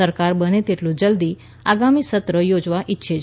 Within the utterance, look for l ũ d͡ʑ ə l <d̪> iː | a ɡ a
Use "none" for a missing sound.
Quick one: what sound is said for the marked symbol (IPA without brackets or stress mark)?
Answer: d̪